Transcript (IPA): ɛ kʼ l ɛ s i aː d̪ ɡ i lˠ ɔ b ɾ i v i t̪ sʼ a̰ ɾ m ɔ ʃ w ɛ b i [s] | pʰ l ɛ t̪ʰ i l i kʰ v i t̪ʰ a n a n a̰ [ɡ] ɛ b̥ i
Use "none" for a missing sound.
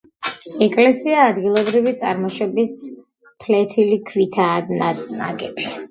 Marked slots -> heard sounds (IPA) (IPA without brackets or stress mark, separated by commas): s, ɡ